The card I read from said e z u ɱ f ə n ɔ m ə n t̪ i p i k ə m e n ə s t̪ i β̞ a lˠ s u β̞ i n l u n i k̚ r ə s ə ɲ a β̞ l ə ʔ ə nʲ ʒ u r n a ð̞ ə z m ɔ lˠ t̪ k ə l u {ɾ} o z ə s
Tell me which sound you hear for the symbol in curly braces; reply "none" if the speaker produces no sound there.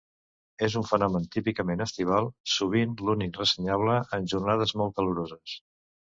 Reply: ɾ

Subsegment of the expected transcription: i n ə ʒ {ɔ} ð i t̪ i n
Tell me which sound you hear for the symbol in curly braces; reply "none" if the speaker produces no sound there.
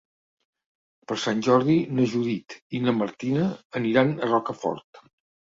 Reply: u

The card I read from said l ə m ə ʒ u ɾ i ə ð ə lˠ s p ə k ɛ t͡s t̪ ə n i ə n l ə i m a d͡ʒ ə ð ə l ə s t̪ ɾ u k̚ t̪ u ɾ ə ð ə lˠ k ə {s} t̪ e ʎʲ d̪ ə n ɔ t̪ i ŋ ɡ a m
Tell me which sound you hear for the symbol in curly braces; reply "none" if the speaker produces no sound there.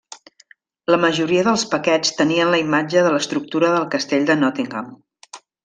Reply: s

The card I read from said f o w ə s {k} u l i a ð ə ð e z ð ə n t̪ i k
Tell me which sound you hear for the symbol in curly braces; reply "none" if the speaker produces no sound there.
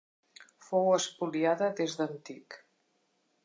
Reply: p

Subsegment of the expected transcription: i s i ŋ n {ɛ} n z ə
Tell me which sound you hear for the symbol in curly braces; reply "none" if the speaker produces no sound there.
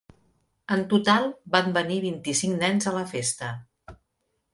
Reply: ɛ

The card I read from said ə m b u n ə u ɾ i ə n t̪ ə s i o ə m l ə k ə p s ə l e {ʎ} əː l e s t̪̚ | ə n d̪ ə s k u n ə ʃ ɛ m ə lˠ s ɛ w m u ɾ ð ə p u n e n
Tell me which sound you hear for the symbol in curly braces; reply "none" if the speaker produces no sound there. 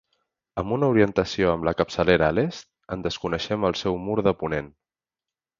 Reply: ɾ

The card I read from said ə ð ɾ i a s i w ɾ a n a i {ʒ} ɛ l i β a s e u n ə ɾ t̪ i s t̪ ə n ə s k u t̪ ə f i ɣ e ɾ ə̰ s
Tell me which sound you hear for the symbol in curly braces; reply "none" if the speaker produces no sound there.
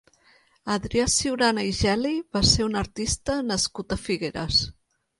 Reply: ʒ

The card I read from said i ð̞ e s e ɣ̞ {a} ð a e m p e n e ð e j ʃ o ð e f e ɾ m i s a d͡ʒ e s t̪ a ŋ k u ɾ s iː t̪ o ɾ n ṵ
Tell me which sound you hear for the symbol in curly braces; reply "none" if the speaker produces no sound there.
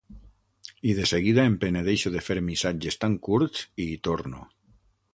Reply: i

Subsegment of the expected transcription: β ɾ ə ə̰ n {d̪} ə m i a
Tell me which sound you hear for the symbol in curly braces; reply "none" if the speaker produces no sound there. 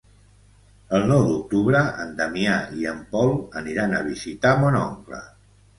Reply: d̪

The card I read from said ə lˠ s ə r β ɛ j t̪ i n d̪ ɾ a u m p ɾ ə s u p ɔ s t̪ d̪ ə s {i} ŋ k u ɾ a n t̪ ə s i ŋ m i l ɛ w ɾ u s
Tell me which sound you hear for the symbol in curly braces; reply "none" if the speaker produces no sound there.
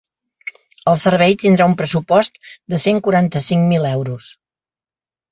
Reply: e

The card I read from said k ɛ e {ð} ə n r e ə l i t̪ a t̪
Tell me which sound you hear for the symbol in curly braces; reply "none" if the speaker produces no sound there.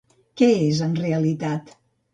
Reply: z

